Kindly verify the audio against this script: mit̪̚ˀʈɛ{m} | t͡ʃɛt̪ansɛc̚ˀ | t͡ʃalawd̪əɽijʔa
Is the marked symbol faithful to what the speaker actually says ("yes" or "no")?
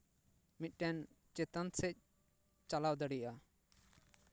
no